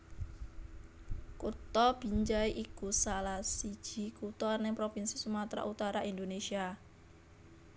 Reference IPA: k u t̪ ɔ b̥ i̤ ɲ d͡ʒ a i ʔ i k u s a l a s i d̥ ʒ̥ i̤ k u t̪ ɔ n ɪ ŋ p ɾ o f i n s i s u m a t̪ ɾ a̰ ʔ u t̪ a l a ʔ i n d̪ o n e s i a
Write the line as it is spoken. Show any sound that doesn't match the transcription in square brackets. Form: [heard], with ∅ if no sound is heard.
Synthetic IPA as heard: k u t̪ ɔ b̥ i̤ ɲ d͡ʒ a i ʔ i k u s a l a s i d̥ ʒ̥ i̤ k u t̪ ɔ n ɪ ŋ p ɾ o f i n s i s u m a t̪ ɾ a̰ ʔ u t̪ a [ɾ] a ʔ i n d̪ o n e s i a